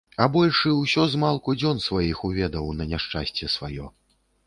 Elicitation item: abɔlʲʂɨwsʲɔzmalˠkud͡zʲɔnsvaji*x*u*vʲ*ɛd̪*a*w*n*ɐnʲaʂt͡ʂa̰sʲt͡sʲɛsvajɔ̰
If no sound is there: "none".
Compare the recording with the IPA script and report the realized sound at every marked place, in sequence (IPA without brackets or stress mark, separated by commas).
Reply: x, vʲ, ɐ, n